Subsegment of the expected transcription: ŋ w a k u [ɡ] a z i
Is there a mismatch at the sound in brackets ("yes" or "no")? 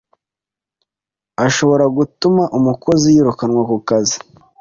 yes